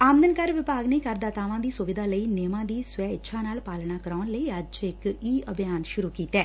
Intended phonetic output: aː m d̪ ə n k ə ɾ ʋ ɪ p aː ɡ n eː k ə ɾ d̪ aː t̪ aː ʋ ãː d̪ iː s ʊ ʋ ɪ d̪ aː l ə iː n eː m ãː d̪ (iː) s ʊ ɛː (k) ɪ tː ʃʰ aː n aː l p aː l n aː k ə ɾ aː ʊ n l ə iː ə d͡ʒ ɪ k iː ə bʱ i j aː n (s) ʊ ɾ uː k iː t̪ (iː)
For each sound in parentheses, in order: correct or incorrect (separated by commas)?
correct, incorrect, incorrect, incorrect